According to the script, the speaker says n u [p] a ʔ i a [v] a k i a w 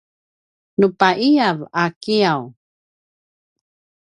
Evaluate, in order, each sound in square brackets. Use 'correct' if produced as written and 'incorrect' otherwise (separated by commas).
correct, correct